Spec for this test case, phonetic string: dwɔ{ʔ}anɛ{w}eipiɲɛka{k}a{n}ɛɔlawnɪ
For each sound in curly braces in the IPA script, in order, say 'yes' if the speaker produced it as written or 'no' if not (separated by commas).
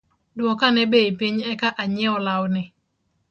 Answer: no, no, no, no